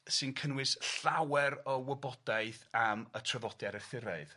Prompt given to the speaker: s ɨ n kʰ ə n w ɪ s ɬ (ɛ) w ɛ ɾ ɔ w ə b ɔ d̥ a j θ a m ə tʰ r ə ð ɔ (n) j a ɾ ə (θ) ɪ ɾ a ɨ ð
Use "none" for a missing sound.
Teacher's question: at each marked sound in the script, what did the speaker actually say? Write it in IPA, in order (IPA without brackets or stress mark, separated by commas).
a, d, θ